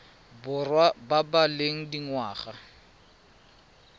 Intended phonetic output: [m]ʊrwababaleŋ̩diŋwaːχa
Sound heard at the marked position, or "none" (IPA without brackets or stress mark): b